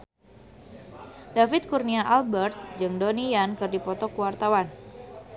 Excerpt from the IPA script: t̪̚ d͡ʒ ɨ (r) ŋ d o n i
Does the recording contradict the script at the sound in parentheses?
yes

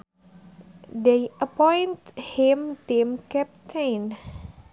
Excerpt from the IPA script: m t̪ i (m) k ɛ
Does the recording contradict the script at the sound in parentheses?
no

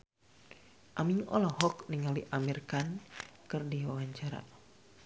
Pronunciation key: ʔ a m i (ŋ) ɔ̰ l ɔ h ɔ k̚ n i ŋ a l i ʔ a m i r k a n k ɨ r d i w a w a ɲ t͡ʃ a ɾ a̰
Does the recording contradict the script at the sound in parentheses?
no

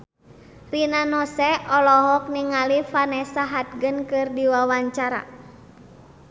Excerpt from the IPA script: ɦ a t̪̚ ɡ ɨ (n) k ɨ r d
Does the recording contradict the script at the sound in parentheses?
no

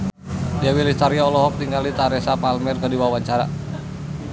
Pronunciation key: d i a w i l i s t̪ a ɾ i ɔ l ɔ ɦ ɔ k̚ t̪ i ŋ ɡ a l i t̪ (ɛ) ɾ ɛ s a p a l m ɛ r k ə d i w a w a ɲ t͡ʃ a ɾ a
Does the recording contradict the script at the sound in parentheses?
yes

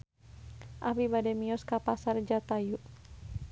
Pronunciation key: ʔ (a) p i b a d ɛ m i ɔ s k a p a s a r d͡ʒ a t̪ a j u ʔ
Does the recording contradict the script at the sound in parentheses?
no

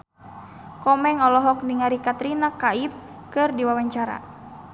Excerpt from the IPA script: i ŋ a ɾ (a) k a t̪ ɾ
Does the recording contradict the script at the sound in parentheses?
yes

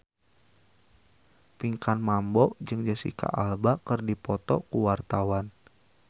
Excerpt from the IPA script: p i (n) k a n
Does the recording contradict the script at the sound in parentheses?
yes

